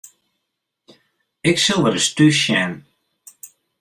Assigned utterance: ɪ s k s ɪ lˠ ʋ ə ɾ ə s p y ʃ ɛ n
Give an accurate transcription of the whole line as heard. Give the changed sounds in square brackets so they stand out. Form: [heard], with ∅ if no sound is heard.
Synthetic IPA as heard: ɪ [∅] k s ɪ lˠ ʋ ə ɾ ə s [t] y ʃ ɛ n